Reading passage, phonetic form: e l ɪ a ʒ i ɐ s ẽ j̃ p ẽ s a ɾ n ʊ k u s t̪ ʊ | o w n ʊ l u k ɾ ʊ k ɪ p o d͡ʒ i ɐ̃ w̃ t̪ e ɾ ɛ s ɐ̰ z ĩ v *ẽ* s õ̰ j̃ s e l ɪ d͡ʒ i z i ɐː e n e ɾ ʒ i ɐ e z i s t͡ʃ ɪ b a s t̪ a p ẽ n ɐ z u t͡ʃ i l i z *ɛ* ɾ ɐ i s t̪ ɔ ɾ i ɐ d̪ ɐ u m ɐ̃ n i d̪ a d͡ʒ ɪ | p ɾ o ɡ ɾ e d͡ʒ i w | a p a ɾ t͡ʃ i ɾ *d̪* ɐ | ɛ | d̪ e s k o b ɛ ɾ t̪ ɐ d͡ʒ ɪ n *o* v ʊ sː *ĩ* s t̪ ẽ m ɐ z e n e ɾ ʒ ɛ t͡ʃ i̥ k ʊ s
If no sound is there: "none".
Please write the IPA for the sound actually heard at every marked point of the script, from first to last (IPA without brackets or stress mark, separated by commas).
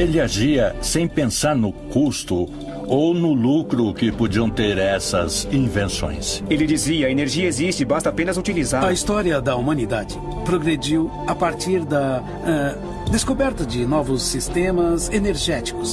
ẽ, a, d̪, ɔ, i